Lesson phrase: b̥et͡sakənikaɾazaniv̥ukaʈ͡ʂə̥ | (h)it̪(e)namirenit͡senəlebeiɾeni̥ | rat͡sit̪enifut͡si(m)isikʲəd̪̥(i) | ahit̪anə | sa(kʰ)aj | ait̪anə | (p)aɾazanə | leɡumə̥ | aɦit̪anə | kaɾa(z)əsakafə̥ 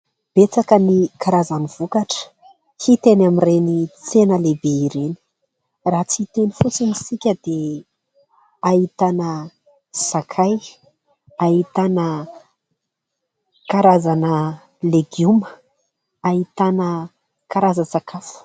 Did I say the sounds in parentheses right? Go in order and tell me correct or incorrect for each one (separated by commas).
correct, correct, incorrect, incorrect, correct, incorrect, correct